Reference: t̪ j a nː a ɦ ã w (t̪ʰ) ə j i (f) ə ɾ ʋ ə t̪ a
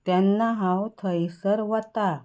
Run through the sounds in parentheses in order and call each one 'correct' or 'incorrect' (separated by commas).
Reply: correct, incorrect